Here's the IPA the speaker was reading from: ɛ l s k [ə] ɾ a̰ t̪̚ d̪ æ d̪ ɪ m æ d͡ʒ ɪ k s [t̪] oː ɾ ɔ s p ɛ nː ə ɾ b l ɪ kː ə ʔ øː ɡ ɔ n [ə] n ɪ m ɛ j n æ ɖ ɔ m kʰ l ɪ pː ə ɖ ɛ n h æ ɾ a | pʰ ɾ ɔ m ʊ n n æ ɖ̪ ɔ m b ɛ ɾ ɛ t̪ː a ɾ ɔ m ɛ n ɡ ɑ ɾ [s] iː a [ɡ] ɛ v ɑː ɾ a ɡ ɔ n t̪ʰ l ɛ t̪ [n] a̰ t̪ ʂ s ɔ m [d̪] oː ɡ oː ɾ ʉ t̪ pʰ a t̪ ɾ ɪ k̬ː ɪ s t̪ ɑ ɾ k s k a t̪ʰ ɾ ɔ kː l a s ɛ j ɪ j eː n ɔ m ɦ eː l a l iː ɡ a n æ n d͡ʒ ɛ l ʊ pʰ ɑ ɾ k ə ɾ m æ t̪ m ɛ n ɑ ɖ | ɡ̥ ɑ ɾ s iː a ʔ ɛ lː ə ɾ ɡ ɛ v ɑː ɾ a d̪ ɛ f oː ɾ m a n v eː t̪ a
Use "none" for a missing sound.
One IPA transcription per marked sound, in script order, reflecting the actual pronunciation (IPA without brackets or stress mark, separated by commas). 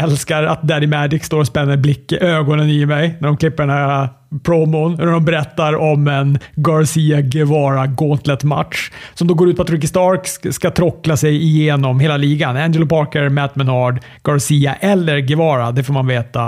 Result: a, t̪, ə, s, ɡ, m, d̪